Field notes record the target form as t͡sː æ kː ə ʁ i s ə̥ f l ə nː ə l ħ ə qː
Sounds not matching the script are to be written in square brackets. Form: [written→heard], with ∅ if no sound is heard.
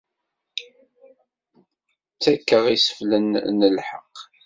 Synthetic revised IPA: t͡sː æ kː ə ʁ i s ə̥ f l ə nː ə l ħ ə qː